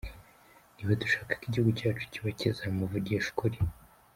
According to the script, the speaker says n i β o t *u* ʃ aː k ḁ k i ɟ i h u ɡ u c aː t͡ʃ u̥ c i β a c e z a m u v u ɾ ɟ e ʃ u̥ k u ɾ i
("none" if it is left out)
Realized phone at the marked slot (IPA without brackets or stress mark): u